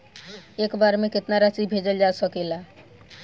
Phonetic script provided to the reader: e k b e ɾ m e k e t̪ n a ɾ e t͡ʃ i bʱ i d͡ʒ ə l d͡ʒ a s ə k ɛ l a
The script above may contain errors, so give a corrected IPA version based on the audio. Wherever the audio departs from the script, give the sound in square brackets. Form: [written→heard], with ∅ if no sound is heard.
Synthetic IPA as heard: e k b [e→a] ɾ m e k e t̪ n a ɾ [e→a] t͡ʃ i bʱ [i→e] d͡ʒ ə l d͡ʒ a s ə k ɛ l a